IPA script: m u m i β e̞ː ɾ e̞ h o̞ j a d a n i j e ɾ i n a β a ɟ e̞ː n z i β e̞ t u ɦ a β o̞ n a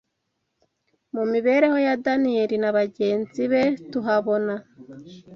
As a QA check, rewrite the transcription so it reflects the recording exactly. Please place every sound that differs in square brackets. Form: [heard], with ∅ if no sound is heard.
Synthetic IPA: m u m i β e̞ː ɾ e̞ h o̞ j a d a n i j e ɾ i n a β a ɟ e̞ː n z i β e̞ t u ɦ a β o̞ n a